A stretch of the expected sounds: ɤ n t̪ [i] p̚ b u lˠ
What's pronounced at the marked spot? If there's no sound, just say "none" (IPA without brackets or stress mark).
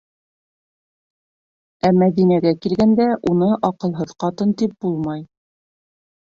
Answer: i